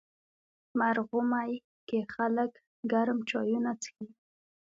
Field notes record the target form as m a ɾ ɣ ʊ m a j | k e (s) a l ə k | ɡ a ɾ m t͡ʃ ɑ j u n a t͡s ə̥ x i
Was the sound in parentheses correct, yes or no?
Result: no